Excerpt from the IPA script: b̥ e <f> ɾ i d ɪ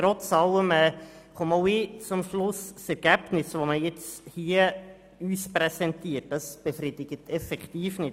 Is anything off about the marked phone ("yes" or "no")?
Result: no